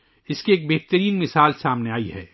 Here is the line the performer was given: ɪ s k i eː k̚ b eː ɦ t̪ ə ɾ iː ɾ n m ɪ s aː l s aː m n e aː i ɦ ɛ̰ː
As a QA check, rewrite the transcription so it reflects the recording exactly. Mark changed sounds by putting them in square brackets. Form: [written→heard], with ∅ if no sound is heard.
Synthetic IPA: ɪ s k i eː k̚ b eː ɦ t̪ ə ɾ iː [ɾ→∅] n m ɪ s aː l s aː m n e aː i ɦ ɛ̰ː

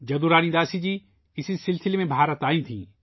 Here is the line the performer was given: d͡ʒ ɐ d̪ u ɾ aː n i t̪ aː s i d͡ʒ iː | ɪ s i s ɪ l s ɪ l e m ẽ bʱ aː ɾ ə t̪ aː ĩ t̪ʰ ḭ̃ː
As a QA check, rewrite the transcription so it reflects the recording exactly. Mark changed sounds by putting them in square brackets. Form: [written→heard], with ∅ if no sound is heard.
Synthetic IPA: d͡ʒ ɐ d̪ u ɾ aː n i [t̪→d̪] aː s i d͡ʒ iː | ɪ s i s ɪ l s ɪ l e m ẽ bʱ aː ɾ ə t̪ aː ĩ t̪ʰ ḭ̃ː

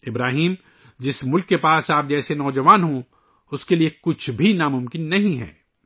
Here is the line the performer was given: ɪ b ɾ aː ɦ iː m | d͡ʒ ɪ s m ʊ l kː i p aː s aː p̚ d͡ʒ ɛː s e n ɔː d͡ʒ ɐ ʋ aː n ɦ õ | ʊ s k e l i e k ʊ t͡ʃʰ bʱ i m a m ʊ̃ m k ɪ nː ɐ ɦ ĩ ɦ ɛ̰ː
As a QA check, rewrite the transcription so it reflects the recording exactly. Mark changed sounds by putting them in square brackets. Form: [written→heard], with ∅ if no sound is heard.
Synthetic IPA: ɪ b ɾ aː ɦ iː m | d͡ʒ ɪ s m ʊ l kː [i→e] p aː s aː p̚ d͡ʒ ɛː s e n ɔː d͡ʒ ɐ ʋ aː n ɦ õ | ʊ s k e l i e k ʊ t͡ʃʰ bʱ i [m→n] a m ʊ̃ m k ɪ nː ɐ ɦ ĩ ɦ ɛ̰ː

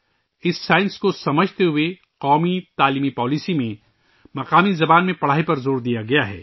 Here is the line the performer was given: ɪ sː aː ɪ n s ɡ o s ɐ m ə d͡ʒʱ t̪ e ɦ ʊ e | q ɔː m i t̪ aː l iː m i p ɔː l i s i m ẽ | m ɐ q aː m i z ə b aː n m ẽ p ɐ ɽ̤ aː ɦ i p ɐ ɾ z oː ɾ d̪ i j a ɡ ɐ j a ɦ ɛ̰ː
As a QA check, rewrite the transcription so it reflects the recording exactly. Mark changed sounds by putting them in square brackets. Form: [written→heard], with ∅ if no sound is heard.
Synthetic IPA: ɪ sː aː ɪ n s [ɡ→k] o s ɐ m ə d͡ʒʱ t̪ e ɦ ʊ e | q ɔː m i t̪ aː l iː m i p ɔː l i s i m ẽ | m ɐ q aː m i z [ə→ɐ] b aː n m ẽ p ɐ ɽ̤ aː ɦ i p ɐ ɾ z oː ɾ d̪ i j a ɡ ɐ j a ɦ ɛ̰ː

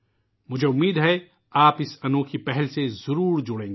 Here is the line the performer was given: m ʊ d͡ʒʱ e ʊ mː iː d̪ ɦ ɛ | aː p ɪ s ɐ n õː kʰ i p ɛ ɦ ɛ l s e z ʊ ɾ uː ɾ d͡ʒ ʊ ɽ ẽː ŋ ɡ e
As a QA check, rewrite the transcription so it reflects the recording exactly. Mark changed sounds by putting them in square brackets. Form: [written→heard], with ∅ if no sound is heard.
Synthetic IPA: m ʊ d͡ʒʱ e ʊ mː iː d̪ ɦ ɛ | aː p ɪ s ɐ n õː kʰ i p ɛ ɦ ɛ l s e z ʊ ɾ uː ɾ d͡ʒ ʊ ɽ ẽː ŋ ɡ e

